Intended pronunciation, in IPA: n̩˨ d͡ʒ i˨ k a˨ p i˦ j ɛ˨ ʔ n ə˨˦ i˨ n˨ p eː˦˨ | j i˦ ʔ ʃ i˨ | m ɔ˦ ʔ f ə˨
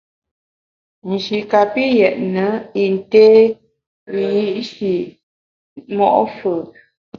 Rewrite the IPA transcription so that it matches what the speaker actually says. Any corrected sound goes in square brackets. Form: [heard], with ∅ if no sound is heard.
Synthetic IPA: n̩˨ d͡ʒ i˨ k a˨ p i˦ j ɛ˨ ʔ n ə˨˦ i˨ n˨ [t] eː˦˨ | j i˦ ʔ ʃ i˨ | m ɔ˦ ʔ f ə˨